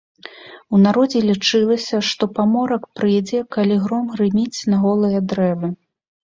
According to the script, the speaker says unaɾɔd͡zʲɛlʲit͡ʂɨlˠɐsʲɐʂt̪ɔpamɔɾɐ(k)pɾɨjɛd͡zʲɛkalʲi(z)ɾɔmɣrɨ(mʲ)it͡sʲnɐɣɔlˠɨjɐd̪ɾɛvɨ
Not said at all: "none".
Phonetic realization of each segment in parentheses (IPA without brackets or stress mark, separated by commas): k, ɣ, mʲ